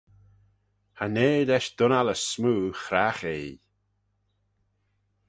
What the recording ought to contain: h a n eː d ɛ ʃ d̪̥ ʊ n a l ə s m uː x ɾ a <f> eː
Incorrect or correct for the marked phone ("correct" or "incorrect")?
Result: incorrect